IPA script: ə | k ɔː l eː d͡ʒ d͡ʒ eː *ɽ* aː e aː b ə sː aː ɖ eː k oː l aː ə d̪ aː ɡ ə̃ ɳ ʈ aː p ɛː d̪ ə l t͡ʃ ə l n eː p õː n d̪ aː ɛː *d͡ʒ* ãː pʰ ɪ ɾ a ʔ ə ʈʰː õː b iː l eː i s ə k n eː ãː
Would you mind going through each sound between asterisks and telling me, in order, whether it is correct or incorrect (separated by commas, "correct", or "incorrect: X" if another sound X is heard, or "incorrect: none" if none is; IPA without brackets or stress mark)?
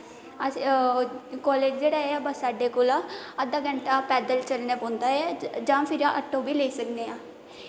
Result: correct, correct